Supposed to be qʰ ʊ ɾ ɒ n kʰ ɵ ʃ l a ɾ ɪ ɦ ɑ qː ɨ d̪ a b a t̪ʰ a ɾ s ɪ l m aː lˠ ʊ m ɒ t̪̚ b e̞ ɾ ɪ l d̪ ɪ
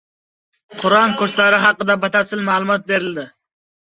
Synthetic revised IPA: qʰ ʊ ɾ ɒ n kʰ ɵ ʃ l a ɾ ɪ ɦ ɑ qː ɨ d̪ a b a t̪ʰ a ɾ s ɪ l m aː lˠ ʊ m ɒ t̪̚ b e̞ ɾ ɪ l d̪ ɪ